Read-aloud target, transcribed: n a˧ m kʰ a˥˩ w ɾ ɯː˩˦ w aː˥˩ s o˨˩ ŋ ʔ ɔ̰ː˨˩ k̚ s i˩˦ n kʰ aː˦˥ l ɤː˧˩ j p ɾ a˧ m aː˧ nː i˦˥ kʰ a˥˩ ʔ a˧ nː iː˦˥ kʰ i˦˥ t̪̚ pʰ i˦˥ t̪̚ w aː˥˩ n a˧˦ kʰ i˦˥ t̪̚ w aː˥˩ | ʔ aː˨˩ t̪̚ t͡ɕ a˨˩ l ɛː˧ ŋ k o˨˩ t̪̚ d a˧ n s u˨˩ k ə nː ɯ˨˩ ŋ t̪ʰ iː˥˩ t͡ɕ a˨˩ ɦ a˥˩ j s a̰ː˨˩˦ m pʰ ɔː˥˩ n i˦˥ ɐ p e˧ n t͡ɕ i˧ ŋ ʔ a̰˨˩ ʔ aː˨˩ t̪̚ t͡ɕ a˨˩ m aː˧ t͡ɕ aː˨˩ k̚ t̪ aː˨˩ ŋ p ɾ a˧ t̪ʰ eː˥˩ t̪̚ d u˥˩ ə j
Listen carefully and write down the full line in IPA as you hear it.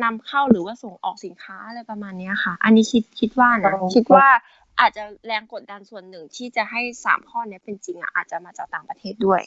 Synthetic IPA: n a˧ m kʰ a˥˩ w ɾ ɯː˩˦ w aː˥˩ s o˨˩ ŋ ʔ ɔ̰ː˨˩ k̚ s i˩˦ n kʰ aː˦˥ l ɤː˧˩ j p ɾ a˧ m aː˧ nː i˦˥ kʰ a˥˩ ʔ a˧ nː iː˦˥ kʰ i˦˥ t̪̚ kʰ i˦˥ t̪̚ w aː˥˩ n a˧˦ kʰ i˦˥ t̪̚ w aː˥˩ | ʔ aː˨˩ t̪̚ t͡ɕ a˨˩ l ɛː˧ ŋ k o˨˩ t̪̚ d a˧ n s u˨˩ ə nː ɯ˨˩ ŋ t̪ʰ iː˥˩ t͡ɕ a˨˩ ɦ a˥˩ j s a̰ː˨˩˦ m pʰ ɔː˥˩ n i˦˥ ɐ p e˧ n t͡ɕ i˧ ŋ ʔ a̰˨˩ ʔ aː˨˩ t̪̚ t͡ɕ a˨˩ m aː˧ t͡ɕ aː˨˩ k̚ t̪ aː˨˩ ŋ p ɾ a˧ t̪ʰ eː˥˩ t̪̚ d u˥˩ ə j